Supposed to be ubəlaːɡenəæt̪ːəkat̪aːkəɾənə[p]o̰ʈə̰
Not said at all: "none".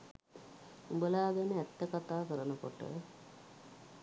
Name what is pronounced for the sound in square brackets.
k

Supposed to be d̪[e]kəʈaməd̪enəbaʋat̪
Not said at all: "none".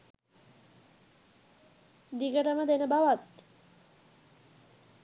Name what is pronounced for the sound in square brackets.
i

